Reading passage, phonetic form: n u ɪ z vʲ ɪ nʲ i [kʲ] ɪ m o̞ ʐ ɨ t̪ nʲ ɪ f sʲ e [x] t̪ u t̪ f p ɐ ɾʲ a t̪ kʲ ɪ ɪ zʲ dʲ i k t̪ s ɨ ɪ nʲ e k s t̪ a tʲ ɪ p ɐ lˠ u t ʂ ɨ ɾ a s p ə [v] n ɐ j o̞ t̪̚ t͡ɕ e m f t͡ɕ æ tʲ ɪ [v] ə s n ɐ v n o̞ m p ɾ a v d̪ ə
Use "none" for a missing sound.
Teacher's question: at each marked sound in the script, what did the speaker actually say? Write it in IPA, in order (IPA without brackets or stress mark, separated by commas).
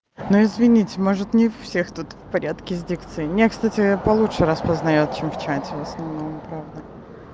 tʲ, x, z, v